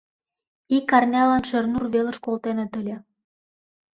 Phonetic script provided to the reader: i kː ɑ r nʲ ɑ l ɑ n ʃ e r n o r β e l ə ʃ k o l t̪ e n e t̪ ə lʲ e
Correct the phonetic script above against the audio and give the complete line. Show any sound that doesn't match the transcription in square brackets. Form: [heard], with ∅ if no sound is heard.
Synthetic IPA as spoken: i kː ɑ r nʲ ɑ l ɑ n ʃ e r n [u] r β e l ə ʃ k o l t̪ e n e t̪ ə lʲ e